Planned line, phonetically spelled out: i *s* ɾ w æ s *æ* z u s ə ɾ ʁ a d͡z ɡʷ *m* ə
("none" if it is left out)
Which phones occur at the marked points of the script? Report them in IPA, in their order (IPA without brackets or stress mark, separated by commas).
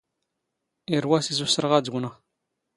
none, i, n